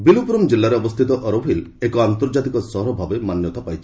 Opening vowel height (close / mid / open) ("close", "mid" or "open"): close